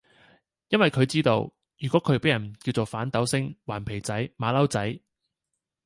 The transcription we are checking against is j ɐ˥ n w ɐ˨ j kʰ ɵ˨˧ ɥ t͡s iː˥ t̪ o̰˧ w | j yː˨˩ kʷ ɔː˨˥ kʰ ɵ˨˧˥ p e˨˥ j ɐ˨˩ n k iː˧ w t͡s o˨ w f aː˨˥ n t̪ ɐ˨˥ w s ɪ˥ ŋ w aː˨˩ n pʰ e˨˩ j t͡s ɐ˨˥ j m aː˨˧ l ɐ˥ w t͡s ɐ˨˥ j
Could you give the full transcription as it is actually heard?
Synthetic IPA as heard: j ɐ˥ n w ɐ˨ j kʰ ɵ˨˧ ɥ t͡s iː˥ t̪ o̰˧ w | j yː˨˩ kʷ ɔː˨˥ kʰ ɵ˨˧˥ p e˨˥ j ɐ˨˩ n k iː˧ w t͡s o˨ w f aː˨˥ n t̪ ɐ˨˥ w s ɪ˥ ŋ w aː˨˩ n pʰ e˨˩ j t͡s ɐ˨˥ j m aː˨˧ l ɐ˥ w t͡s ɐ˨˥ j